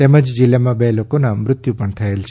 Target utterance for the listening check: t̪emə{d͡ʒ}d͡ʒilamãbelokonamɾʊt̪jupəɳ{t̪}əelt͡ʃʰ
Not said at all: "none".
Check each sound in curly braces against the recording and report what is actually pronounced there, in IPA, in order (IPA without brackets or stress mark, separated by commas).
d͡ʒ, t̪ʰ